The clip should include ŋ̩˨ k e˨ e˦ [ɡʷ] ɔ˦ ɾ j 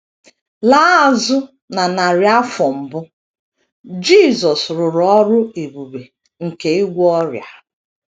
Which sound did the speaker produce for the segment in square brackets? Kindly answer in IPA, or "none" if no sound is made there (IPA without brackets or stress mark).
ɡʷ